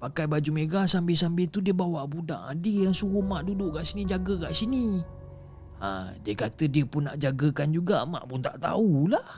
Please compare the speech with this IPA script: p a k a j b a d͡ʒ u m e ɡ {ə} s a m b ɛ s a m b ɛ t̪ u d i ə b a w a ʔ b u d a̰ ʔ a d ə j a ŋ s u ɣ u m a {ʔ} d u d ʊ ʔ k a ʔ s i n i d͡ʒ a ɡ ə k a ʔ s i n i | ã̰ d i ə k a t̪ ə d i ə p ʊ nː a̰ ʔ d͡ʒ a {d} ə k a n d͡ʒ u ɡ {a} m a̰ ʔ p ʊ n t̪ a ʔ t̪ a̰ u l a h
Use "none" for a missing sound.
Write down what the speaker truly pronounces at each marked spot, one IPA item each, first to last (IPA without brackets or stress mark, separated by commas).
a, ʔ, ɡ, a